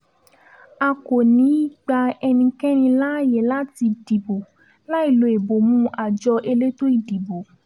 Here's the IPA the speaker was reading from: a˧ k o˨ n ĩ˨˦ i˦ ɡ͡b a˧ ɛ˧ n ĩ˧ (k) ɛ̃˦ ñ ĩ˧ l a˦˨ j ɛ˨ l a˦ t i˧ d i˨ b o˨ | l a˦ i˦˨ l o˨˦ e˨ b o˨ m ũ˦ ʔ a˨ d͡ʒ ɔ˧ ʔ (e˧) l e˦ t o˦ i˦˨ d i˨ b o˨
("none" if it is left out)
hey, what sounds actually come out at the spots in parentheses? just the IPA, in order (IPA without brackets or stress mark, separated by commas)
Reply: k, e˧